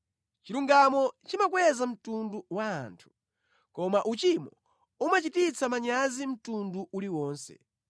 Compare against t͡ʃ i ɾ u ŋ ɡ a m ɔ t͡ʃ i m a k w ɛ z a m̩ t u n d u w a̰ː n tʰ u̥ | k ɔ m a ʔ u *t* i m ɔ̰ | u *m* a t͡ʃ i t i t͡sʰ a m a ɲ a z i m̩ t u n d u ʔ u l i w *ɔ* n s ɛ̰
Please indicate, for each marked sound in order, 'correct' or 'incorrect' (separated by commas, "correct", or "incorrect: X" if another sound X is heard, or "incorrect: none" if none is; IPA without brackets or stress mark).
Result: incorrect: t͡ʃ, correct, incorrect: ɔː